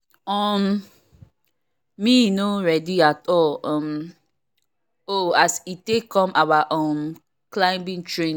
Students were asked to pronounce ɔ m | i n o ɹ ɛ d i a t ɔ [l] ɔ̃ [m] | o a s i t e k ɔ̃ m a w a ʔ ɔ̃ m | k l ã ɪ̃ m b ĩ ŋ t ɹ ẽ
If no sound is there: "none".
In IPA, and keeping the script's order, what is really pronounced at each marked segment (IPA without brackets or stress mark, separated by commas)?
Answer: l, m